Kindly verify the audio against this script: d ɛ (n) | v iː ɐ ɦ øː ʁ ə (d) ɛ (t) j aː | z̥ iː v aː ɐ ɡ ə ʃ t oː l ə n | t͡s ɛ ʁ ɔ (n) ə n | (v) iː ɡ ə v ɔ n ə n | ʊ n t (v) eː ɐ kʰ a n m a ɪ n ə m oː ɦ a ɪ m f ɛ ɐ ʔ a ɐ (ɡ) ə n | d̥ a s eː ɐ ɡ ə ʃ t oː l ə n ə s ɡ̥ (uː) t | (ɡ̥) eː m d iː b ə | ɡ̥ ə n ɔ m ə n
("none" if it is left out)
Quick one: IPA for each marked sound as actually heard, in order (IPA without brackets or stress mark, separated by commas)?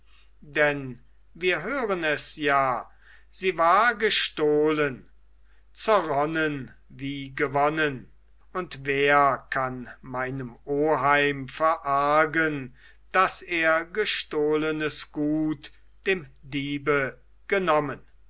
n, n, s, n, v, v, ɡ, uː, d̥